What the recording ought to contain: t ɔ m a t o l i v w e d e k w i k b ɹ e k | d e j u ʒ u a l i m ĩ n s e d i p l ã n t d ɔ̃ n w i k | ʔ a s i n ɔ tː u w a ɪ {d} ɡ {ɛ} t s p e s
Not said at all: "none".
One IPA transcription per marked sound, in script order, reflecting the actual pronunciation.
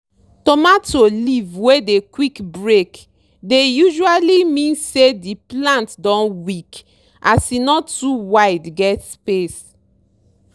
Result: d, ɛ

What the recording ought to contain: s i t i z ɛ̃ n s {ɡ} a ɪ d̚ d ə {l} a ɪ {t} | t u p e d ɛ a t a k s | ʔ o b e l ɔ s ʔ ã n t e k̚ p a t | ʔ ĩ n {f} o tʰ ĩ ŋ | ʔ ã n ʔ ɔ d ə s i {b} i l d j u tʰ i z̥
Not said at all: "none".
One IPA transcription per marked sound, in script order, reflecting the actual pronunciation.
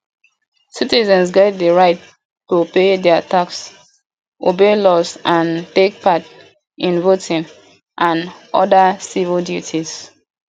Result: ɡ, ɹ, t, v, v

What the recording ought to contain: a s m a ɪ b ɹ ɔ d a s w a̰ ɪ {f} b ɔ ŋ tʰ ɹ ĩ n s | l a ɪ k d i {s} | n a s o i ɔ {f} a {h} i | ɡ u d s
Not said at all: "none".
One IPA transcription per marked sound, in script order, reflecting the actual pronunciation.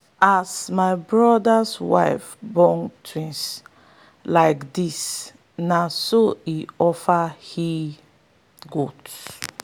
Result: f, s, f, h

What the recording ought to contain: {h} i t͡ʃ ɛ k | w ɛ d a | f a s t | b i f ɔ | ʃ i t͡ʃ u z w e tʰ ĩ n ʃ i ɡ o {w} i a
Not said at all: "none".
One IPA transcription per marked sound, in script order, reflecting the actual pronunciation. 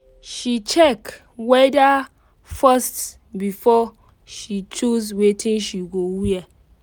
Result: ʃ, w

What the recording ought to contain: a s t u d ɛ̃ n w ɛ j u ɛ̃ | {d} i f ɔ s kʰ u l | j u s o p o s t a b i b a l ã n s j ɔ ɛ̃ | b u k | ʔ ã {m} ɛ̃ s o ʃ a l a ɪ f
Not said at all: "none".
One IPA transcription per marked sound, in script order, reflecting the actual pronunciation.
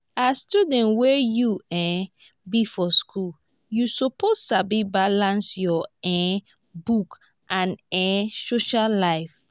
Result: b, n

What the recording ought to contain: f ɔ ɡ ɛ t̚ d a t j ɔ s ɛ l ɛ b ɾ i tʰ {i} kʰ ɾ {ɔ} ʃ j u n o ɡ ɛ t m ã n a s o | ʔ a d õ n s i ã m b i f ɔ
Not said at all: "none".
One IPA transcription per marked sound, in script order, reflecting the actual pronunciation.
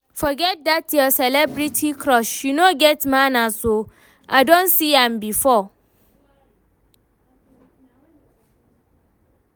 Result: i, ɔ

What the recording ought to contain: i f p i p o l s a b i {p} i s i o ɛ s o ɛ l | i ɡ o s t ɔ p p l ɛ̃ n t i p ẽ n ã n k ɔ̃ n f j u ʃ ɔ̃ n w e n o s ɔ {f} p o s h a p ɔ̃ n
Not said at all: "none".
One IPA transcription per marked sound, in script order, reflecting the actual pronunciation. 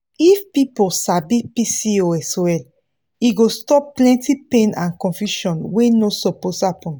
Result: p, none

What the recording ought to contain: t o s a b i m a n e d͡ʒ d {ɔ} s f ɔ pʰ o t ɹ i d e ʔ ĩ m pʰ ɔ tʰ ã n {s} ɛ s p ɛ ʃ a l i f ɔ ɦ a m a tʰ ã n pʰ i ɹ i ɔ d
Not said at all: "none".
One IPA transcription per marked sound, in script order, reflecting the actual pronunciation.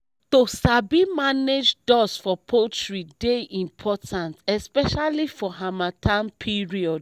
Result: ɔ, t

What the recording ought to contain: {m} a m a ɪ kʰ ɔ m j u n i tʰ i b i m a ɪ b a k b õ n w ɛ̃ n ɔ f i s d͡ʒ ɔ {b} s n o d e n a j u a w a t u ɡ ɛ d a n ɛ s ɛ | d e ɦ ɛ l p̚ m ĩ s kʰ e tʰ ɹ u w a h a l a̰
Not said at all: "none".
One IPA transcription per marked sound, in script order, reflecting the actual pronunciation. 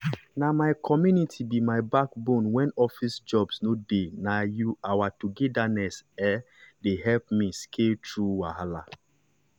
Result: n, b

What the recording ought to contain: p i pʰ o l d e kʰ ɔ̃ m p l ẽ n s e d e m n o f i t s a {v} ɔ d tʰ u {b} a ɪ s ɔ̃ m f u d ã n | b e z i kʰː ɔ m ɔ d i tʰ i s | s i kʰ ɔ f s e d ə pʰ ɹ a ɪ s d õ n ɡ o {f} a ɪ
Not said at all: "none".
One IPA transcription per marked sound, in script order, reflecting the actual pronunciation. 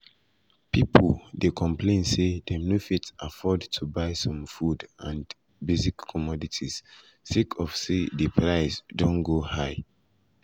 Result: f, b, h

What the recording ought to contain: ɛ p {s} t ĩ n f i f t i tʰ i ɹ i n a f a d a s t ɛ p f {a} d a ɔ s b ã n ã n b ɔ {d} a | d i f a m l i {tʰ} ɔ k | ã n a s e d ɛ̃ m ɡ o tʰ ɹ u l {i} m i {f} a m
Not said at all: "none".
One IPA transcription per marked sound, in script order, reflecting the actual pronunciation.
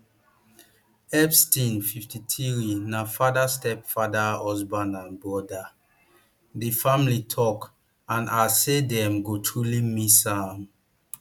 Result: s, a, d, tʰ, i, s

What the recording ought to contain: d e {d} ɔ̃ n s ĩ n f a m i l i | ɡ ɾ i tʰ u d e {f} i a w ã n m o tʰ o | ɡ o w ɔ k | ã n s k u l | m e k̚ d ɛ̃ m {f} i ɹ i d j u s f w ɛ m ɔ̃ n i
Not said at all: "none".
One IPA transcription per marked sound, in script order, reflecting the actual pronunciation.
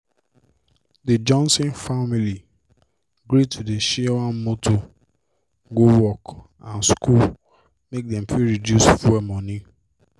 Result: d͡ʒ, ʃ, f

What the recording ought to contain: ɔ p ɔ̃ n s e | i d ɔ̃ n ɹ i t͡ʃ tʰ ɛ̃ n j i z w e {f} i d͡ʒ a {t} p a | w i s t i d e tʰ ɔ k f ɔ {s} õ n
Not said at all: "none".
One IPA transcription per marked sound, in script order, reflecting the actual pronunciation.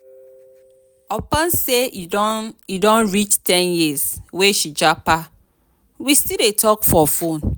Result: ʃ, none, f

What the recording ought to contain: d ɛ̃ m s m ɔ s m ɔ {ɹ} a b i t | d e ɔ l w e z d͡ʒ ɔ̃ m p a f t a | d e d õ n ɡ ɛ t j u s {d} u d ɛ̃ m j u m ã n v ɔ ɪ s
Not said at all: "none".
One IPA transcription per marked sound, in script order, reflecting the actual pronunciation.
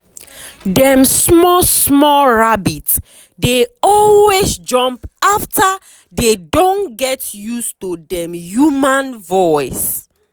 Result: ɹ, t

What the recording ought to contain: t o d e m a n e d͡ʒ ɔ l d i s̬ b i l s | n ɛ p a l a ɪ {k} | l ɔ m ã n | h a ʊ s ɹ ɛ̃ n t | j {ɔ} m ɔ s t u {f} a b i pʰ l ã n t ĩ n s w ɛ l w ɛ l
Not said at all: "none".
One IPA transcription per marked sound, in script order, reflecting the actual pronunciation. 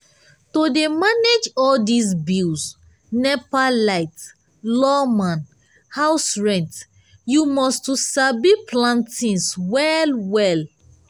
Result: t, u, s

